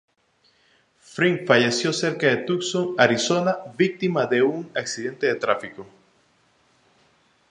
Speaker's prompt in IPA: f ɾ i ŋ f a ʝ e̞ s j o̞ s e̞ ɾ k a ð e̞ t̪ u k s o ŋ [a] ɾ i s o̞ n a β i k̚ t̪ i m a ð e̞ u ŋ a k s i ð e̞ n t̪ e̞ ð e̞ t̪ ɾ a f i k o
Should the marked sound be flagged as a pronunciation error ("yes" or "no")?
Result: no